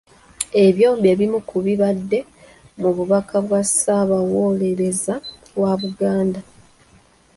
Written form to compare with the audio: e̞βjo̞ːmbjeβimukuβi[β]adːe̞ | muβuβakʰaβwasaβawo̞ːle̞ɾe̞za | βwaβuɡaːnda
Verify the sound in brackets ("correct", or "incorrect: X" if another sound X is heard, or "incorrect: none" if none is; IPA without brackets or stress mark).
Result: correct